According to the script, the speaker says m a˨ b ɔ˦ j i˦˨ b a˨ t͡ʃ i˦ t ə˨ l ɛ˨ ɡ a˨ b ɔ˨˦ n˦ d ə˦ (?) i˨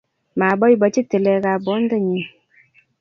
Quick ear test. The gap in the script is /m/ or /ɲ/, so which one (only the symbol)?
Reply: ɲ